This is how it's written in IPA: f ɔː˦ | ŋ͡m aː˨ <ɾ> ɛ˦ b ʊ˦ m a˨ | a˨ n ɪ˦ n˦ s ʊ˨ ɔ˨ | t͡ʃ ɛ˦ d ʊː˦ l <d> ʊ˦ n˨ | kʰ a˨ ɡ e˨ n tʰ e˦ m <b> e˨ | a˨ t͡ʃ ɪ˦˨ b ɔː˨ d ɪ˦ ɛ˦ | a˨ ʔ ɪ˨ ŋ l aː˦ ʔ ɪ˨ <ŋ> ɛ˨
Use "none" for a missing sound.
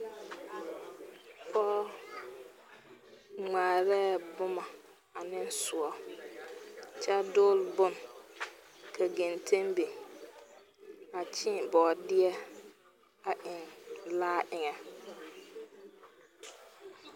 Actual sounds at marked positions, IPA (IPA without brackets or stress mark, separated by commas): ɾ, b, b, ŋ